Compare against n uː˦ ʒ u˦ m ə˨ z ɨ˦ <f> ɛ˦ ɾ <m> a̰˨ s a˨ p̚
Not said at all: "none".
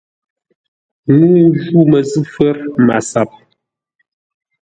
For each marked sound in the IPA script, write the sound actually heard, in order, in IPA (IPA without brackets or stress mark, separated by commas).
f, m